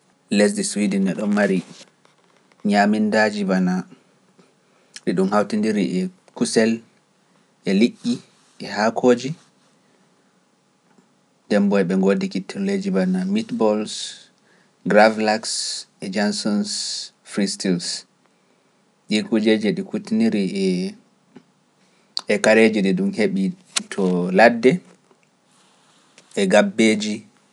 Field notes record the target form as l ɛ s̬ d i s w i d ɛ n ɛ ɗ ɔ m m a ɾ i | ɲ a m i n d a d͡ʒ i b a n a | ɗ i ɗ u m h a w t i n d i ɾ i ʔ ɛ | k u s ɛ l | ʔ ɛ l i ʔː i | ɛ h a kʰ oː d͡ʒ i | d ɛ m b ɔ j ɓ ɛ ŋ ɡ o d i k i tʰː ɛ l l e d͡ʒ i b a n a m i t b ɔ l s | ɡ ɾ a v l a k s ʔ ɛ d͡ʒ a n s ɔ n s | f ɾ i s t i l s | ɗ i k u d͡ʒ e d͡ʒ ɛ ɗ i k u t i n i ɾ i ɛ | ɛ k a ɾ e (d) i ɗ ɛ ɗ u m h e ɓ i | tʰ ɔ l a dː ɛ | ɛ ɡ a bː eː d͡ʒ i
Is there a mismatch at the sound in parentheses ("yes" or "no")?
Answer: yes